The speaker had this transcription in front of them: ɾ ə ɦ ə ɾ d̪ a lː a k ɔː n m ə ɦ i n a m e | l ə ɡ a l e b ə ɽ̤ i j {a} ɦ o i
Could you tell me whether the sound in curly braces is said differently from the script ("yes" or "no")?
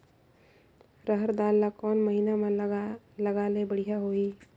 no